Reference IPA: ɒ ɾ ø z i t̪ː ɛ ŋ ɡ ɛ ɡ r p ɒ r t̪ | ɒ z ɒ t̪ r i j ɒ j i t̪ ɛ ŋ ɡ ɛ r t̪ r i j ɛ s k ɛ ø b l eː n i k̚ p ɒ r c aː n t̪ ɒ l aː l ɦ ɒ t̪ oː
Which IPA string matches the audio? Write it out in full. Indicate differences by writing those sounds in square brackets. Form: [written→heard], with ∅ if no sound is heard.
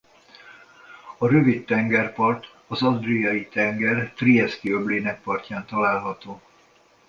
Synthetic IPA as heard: ɒ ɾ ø [z→v] i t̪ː ɛ ŋ ɡ ɛ [ɡ→∅] r p ɒ r t̪ | ɒ z ɒ [t̪→d̪] r i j ɒ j i t̪ ɛ ŋ ɡ ɛ r t̪ r i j ɛ s k [ɛ→i] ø b l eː n [i→ɛ] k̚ p ɒ r c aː n t̪ ɒ l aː l ɦ ɒ t̪ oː